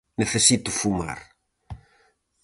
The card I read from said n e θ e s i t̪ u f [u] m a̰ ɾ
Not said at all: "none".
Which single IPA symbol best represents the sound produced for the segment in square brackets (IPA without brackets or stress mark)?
u